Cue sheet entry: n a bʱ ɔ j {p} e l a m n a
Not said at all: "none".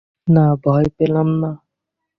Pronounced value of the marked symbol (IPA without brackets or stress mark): p